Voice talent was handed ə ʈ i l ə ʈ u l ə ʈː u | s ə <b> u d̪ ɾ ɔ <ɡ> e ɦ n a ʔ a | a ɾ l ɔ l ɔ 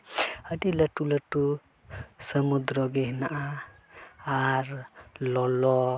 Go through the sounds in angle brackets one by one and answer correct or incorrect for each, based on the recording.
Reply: incorrect: m, correct

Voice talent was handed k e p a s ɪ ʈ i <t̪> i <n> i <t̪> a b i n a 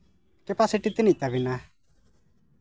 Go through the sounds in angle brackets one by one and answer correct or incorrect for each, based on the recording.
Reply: correct, correct, correct

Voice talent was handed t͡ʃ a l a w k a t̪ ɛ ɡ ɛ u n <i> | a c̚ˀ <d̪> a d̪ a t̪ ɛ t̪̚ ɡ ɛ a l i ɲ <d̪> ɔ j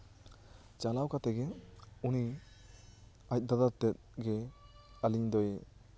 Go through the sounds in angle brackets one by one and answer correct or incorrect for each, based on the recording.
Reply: correct, correct, correct

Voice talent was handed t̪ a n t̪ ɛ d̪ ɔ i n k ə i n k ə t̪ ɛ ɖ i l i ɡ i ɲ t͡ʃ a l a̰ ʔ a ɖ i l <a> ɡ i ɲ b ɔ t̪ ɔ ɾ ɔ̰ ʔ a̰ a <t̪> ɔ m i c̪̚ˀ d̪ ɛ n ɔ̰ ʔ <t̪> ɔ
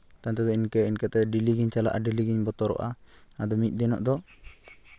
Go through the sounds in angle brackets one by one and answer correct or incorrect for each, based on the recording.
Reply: incorrect: i, incorrect: d̪, incorrect: d̪

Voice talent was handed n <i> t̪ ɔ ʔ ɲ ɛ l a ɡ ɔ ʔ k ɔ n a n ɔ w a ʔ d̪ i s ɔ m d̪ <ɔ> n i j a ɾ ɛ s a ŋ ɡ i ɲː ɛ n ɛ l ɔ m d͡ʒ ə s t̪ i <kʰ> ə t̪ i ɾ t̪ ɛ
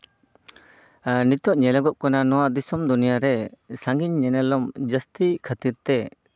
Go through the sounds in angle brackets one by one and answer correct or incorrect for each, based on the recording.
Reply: correct, incorrect: u, correct

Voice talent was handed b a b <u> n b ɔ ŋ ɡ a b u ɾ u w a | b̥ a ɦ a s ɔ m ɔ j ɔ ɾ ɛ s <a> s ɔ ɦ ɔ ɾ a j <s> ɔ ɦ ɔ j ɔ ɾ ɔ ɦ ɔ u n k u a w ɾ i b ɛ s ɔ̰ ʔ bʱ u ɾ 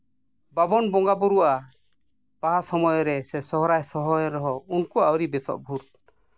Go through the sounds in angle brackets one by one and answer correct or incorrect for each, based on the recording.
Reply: incorrect: ɔ, incorrect: ɛ, correct

